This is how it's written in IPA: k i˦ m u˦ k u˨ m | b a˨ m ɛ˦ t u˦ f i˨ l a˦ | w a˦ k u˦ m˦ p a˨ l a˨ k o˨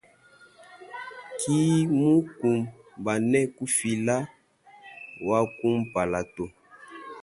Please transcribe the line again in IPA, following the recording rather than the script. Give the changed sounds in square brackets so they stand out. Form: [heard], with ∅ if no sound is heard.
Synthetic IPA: k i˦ m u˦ k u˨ m | b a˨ [n] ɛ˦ [k] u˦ f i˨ l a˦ | w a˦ k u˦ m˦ p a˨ l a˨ [t] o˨